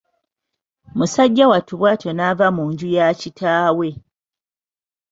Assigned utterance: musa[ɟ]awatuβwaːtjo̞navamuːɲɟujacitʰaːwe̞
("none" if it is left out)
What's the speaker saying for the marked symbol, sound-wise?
ɟː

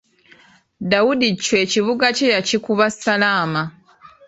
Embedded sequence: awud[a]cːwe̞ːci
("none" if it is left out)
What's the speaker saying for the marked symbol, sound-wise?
i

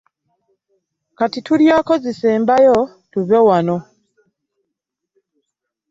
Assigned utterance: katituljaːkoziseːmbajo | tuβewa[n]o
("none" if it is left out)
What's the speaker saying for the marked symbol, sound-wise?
n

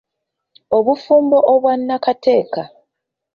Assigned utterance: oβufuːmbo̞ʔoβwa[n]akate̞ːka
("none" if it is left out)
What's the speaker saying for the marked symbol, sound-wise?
nː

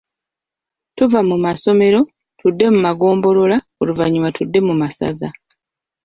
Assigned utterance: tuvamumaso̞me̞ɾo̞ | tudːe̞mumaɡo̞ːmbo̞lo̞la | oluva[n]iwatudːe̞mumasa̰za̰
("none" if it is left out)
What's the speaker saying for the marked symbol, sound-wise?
ɲ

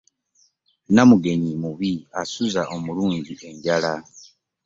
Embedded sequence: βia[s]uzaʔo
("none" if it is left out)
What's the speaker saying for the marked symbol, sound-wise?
s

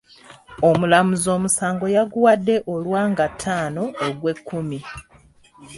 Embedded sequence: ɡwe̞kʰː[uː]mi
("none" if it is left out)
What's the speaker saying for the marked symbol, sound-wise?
u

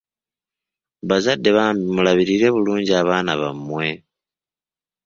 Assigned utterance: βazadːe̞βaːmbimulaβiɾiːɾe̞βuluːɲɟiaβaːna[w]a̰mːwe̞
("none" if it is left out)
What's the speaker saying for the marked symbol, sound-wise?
β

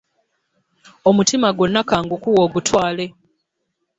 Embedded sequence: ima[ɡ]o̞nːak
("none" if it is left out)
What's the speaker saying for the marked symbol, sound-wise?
ɡ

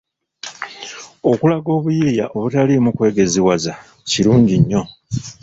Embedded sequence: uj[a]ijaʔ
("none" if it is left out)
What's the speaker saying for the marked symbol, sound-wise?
i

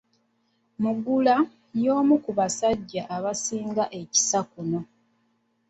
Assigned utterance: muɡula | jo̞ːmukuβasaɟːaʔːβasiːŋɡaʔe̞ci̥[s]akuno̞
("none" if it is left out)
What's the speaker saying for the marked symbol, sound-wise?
s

